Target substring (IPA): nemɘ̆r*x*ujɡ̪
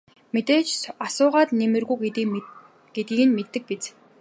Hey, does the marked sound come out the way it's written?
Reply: no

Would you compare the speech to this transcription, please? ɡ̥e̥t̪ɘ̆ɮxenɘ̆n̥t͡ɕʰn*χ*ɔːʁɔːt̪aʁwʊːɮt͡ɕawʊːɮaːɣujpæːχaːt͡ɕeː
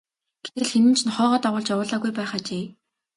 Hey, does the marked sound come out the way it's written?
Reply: yes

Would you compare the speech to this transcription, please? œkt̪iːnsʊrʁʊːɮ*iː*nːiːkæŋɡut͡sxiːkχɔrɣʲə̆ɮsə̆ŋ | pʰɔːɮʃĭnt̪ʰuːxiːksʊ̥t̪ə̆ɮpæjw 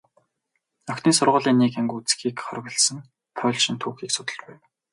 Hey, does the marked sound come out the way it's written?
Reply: yes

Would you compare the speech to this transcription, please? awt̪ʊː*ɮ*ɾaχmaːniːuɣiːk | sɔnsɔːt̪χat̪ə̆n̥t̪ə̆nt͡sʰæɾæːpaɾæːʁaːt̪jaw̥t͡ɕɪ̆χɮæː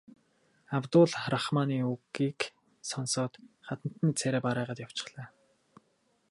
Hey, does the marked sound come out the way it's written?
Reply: yes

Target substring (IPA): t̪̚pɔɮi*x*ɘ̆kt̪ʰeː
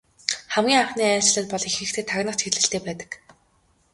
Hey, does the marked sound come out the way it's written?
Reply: yes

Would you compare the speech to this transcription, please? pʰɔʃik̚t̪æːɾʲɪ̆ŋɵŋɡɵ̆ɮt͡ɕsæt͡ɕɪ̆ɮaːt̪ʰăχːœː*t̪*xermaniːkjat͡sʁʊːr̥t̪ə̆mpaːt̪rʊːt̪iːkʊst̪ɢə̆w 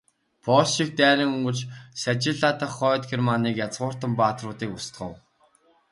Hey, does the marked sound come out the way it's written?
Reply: yes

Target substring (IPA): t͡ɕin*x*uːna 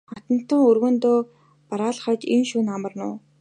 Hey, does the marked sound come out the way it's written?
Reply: no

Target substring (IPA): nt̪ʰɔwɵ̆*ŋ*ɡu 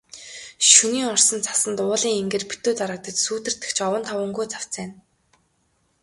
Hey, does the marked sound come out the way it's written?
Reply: yes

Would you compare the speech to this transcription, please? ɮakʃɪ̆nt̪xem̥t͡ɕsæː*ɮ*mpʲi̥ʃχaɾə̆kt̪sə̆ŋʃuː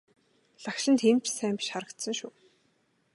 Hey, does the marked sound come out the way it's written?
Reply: no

